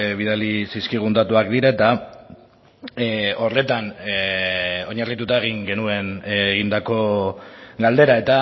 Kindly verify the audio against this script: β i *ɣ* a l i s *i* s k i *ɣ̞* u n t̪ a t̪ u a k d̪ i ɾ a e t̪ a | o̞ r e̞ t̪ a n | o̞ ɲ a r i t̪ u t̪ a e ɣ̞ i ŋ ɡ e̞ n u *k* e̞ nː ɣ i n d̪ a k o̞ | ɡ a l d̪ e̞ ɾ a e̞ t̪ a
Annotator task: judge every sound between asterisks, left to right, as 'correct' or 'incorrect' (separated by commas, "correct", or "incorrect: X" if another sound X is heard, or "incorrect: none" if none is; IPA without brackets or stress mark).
incorrect: ð, correct, correct, incorrect: none